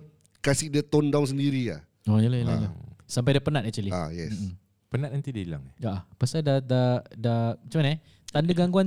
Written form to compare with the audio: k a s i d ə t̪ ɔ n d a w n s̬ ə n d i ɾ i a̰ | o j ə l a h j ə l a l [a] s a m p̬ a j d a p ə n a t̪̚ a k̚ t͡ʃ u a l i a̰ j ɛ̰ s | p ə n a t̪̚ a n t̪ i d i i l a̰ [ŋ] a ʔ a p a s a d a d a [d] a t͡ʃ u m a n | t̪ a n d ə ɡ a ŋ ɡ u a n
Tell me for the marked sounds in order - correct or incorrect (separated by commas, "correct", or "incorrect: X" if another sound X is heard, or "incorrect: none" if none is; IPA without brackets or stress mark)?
correct, correct, correct